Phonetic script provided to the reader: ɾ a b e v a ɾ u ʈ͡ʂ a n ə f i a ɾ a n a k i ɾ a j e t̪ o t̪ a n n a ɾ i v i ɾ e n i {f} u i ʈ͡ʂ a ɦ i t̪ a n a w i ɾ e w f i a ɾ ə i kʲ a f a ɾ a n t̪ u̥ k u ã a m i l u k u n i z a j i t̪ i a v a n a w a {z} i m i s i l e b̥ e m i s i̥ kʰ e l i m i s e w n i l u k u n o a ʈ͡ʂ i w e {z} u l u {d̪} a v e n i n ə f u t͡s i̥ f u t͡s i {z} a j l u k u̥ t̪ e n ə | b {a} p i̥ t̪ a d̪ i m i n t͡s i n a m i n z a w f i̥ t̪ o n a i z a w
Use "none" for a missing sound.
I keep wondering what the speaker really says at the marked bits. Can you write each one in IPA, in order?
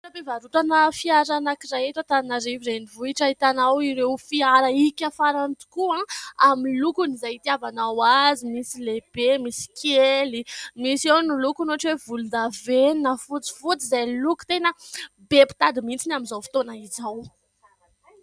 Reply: v, z, v, d̪, z, e

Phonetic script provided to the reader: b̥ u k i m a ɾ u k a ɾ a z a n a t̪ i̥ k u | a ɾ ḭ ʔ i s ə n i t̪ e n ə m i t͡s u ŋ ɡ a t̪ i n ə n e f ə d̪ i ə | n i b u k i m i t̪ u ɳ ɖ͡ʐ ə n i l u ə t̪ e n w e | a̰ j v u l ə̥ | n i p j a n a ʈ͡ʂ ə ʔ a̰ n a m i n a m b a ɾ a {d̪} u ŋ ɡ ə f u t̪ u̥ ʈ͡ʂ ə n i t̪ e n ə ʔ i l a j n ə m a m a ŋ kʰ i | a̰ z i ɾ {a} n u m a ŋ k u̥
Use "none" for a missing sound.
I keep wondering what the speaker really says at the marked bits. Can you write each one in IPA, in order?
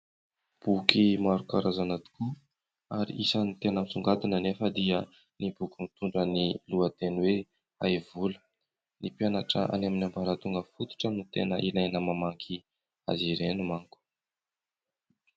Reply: t̪, e

